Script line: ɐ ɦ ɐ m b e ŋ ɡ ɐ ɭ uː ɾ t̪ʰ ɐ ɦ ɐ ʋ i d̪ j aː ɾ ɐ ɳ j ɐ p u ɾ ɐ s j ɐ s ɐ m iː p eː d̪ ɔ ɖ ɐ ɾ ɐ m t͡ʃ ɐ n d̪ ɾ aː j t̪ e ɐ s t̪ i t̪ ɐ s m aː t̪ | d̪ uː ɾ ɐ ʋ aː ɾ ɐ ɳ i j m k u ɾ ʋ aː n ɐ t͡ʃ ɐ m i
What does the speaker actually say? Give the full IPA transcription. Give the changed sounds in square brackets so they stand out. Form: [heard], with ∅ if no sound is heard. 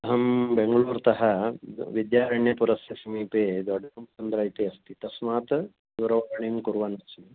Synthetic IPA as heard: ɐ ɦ ɐ m b e ŋ ɡ ɐ ɭ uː ɾ [t̪] ɐ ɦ ɐ ʋ i d̪ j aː ɾ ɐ ɳ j ɐ p u ɾ ɐ s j ɐ s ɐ m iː p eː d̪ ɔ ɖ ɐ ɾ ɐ m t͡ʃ ɐ n d̪ ɾ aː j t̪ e ɐ s t̪ i t̪ ɐ s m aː t̪ | d̪ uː ɾ ɐ ʋ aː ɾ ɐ ɳ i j m k u ɾ ʋ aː n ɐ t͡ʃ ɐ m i

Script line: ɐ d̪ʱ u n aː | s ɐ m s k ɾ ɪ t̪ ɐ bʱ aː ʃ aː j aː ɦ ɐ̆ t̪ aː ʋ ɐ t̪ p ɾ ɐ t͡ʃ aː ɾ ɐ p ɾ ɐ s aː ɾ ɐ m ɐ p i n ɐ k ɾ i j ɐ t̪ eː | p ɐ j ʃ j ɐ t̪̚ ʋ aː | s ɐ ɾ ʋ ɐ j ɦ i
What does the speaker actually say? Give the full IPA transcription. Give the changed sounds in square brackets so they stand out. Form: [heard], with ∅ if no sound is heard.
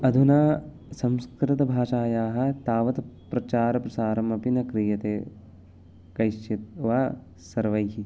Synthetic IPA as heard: ɐ d̪ʱ u n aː | s ɐ m s k ɾ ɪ t̪ ɐ bʱ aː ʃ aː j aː ɦ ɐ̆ t̪ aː ʋ ɐ t̪ p ɾ ɐ t͡ʃ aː ɾ ɐ p ɾ ɐ s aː ɾ ɐ m ɐ p i n ɐ k ɾ i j ɐ t̪ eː | [k] ɐ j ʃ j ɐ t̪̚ ʋ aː | s ɐ ɾ ʋ ɐ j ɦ i

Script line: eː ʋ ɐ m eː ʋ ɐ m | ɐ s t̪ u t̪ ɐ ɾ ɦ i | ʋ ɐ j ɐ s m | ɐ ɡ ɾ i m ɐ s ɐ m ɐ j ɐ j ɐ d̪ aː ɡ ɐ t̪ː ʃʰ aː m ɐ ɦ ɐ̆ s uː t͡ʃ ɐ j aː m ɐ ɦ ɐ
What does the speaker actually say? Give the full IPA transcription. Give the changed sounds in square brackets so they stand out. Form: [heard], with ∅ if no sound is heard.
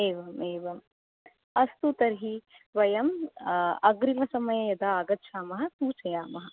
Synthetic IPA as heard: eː ʋ ɐ m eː ʋ ɐ m | ɐ s t̪ u t̪ ɐ ɾ ɦ i | ʋ ɐ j ɐ [∅] m | ɐ ɡ ɾ i m ɐ s ɐ m ɐ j ɐ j ɐ d̪ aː ɡ ɐ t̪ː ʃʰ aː m ɐ ɦ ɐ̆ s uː t͡ʃ ɐ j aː m ɐ ɦ ɐ

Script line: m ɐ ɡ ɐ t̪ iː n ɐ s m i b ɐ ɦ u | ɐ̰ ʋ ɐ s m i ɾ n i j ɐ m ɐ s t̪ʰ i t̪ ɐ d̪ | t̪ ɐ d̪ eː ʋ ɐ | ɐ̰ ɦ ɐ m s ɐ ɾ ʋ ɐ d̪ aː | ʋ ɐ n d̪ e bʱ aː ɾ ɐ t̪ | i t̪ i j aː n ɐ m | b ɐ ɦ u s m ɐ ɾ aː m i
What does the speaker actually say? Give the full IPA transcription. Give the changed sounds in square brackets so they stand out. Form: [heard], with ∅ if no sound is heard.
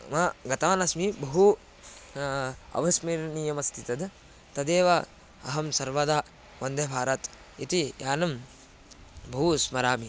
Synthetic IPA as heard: m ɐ ɡ ɐ t̪ [aː] n ɐ s m i b ɐ ɦ u | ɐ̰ ʋ ɐ s m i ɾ n i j ɐ m ɐ s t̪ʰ i t̪ ɐ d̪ | t̪ ɐ d̪ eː ʋ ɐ | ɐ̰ ɦ ɐ m s ɐ ɾ ʋ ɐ d̪ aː | ʋ ɐ n d̪ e bʱ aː ɾ ɐ t̪ | i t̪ i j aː n ɐ m | b ɐ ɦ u s m ɐ ɾ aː m i

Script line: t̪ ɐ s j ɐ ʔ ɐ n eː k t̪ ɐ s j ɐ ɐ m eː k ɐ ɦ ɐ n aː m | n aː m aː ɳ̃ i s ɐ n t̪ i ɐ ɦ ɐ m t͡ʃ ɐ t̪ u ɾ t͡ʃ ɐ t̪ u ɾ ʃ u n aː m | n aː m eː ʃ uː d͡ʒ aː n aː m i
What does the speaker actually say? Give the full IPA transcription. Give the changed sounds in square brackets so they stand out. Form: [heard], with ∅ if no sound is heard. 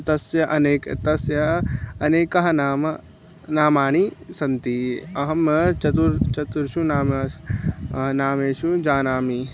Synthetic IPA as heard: t̪ ɐ s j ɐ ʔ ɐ n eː k t̪ ɐ s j ɐ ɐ [n] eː k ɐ ɦ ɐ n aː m | n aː m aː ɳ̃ i s ɐ n t̪ i ɐ ɦ ɐ m t͡ʃ ɐ t̪ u ɾ t͡ʃ ɐ t̪ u ɾ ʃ u n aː m | n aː m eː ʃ [u] d͡ʒ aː n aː m i

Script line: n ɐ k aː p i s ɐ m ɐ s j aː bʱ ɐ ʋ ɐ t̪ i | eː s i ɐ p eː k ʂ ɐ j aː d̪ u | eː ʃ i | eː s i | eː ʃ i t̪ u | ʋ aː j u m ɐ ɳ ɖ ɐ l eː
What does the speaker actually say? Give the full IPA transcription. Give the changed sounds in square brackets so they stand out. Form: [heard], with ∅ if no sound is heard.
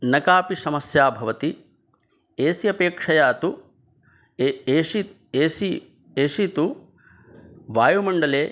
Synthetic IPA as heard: n ɐ k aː p i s ɐ m ɐ s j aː bʱ ɐ ʋ ɐ t̪ i | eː s i ɐ p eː k ʂ ɐ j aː [t̪] u | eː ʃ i | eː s i | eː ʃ i t̪ u | ʋ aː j u m ɐ ɳ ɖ ɐ l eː

